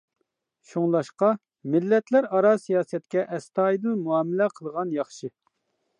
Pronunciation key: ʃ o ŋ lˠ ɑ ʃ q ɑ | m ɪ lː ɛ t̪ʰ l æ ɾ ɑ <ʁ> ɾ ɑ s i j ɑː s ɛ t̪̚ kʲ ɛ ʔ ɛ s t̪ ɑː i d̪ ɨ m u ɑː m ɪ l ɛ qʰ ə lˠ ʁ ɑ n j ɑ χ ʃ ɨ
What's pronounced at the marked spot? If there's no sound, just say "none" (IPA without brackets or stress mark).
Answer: none